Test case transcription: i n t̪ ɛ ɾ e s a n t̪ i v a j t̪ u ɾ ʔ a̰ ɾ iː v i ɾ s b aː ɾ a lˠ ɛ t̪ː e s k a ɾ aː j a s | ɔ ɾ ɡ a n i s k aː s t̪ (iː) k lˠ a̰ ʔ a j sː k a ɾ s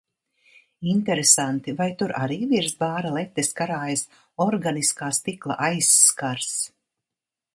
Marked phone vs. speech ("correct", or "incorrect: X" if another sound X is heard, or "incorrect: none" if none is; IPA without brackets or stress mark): incorrect: i